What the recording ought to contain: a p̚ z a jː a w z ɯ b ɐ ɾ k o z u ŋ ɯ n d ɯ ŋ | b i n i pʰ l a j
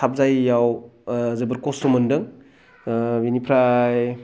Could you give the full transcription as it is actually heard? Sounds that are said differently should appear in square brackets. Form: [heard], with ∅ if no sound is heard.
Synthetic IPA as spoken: a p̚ z a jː a w z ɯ b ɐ ɾ k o [s] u [m] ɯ n d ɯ ŋ | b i n i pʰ [ɾ] a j